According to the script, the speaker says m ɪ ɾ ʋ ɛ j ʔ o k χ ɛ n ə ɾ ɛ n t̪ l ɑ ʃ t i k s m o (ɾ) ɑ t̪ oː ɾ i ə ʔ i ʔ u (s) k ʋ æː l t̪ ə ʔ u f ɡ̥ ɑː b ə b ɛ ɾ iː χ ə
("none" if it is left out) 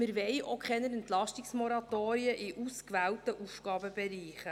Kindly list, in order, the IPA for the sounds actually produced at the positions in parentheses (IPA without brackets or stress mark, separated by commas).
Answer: ɾ, s